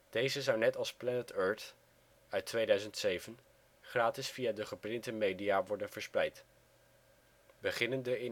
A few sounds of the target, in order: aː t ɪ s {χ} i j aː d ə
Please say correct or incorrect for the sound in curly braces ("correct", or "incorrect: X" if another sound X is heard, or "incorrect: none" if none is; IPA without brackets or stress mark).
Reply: incorrect: f